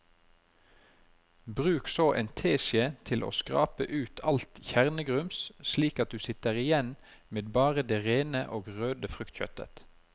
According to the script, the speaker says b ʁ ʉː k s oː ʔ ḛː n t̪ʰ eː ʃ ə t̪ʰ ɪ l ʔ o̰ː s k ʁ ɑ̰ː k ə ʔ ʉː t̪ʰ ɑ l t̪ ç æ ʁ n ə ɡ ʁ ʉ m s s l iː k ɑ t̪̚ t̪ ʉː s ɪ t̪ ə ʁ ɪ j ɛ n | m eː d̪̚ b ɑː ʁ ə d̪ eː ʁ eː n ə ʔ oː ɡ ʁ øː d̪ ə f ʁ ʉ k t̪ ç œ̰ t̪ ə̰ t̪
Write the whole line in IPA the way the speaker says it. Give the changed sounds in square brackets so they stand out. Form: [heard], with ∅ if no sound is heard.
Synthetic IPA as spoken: b ʁ ʉː k s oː ʔ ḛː n t̪ʰ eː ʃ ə t̪ʰ ɪ l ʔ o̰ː s k ʁ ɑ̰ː [p] ə ʔ ʉː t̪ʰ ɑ l t̪ ç æ ʁ n ə ɡ ʁ ʉ m s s l iː k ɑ t̪̚ [d̪] ʉː s ɪ t̪ ə ʁ ɪ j ɛ n | m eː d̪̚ b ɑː ʁ ə d̪ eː ʁ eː n ə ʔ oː ɡ ʁ øː d̪ ə f ʁ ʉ k t̪ ç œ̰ t̪ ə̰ t̪

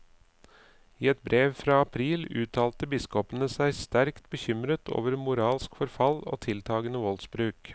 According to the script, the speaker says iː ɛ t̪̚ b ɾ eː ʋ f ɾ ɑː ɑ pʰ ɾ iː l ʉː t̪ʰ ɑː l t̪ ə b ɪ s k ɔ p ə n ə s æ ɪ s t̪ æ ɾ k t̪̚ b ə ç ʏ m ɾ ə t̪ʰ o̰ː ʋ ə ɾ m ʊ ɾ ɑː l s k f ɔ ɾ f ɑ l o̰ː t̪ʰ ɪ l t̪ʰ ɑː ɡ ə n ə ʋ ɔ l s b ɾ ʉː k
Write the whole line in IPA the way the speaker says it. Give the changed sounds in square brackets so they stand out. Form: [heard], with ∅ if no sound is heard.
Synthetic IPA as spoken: iː ɛ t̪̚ b ɾ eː ʋ f ɾ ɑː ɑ pʰ ɾ iː l ʉː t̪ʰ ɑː l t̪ ə b ɪ s k ɔ p ə n ə s æ ɪ s t̪ æ ɾ k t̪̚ b ə ç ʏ m ɾ ə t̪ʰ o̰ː ʋ ə ɾ m ʊ ɾ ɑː l s k f ɔ ɾ f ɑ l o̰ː t̪ʰ ɪ l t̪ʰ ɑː ɡ ə n ə ʋ ɔ l s b ɾ ʉː k

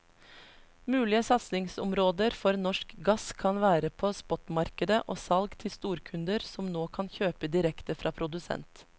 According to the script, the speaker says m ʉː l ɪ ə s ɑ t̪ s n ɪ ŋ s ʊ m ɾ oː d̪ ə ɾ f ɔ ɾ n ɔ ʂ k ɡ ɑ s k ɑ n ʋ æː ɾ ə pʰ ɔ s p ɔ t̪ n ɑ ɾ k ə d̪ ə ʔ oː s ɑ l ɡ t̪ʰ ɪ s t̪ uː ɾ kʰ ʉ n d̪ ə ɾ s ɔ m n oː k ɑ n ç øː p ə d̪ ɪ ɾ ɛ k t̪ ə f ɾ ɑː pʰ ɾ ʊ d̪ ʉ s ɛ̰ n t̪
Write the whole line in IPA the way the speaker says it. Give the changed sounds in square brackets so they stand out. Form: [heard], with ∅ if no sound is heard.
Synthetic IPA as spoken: m ʉː l ɪ ə s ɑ t̪ s n ɪ ŋ s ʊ m ɾ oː d̪ ə ɾ f ɔ ɾ n ɔ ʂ k ɡ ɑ s [kʰ] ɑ n ʋ æː ɾ ə pʰ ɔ s p ɔ t̪ [m] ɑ ɾ k ə d̪ ə ʔ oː s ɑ l ɡ t̪ʰ ɪ s t̪ uː ɾ kʰ ʉ n d̪ ə ɾ s ɔ m n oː [kʰ] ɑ n ç øː p ə d̪ ɪ ɾ ɛ k t̪ ə f ɾ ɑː pʰ ɾ ʊ d̪ ʉ s ɛ̰ n t̪

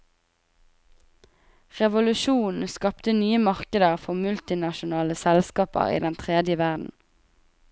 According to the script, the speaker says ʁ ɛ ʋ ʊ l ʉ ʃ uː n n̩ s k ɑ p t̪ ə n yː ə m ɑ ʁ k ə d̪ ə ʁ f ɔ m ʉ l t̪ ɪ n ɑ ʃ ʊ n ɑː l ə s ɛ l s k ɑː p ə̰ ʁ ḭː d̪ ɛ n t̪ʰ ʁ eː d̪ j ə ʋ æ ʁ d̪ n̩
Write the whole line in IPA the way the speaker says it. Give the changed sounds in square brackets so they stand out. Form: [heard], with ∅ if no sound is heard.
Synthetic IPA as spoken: ʁ ɛ ʋ ʊ l ʉ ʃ uː n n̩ s k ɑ p t̪ ə n yː ə m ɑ ʁ k ə d̪ ə ʁ f ɔ m ʉ l t̪ ɪ n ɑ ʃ ʊ n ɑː l ə s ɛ l s k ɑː p ə̰ ʁ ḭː d̪ ɛ n t̪ʰ ʁ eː d̪ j ə ʋ æ ʁ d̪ n̩

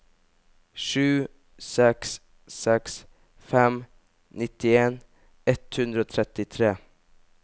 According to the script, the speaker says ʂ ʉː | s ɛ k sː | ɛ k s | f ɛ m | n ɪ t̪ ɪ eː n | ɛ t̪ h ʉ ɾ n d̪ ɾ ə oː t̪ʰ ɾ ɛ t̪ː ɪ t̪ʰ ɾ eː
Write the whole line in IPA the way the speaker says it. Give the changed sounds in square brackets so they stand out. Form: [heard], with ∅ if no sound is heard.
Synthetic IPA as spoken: ʂ ʉː | s ɛ k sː | ɛ k s | f ɛ m | n ɪ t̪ ɪ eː n | ɛ t̪ h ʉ [∅] n d̪ ɾ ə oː t̪ʰ ɾ ɛ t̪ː ɪ t̪ʰ ɾ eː

